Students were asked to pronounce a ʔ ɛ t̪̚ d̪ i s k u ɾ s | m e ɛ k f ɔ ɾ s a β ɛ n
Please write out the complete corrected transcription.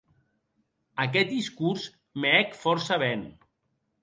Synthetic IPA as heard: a k ɛ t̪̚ d̪ i s k u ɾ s | m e ɛ k f ɔ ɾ s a β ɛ n